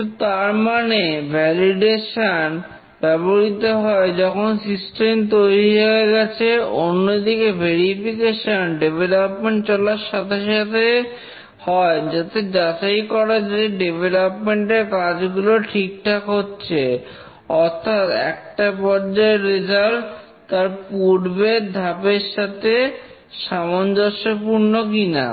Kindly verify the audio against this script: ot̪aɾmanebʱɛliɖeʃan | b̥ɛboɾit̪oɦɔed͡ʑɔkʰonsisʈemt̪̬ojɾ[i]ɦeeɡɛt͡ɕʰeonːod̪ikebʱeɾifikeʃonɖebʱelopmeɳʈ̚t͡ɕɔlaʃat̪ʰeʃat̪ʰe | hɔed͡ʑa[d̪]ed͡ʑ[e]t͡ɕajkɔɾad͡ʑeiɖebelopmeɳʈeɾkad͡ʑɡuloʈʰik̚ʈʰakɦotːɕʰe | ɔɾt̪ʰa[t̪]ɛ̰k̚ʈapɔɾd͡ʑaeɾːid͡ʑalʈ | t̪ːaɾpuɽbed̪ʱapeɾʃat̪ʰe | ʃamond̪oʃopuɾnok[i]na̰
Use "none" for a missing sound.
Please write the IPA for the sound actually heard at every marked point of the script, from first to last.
i, t̪, a, t̪, i

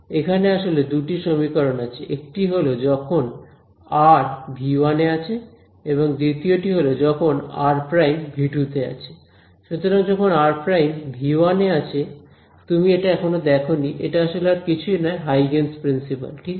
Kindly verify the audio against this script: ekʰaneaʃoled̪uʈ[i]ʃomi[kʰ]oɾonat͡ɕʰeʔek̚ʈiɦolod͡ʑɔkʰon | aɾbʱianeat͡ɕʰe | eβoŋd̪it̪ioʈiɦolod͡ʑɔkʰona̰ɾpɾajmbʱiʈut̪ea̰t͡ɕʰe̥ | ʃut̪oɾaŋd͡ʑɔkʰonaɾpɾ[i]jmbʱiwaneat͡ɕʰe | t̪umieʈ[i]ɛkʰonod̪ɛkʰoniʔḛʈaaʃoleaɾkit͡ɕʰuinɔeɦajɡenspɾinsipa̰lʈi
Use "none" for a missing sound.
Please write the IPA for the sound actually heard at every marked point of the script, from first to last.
i, k, a, a

